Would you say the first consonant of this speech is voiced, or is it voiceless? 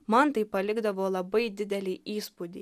voiced